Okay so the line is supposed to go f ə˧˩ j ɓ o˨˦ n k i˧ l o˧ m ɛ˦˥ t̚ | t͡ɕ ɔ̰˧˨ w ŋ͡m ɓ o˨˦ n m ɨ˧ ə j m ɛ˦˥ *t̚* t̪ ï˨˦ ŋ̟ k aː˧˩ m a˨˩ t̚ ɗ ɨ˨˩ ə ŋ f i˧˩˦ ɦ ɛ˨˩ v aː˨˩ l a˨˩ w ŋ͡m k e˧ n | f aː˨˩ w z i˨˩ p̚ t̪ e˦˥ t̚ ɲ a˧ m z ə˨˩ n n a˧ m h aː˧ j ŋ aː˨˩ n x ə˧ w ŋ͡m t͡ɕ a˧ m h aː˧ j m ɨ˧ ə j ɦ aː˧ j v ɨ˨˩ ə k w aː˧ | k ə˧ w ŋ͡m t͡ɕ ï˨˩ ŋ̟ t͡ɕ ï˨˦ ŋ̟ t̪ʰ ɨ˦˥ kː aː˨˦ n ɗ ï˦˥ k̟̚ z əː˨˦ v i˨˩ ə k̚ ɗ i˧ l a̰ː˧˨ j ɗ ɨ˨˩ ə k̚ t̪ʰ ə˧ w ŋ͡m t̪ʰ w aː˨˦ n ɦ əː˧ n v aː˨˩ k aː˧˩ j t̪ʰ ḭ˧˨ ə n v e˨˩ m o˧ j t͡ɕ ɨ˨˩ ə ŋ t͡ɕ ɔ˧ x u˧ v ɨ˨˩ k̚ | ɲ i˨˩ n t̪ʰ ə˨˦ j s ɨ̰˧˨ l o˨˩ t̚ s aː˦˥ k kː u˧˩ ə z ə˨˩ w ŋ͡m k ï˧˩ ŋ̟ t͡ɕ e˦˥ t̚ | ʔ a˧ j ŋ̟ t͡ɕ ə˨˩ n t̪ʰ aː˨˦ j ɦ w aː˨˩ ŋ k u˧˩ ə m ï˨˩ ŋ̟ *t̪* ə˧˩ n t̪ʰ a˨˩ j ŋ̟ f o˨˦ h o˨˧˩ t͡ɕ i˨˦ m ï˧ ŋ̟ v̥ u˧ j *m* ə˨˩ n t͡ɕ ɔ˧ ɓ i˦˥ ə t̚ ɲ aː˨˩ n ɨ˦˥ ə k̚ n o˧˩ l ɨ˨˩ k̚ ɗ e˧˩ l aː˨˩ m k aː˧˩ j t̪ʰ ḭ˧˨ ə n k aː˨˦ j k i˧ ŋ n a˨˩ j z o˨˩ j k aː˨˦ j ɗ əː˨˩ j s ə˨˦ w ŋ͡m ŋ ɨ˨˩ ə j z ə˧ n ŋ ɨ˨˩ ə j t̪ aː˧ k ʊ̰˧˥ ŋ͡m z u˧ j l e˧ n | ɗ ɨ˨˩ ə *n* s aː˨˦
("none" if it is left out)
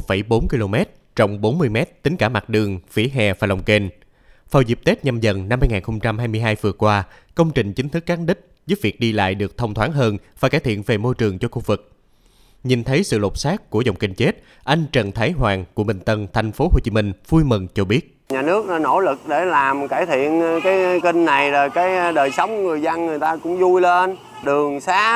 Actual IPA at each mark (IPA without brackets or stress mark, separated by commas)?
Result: t̚, t̪, m, ŋ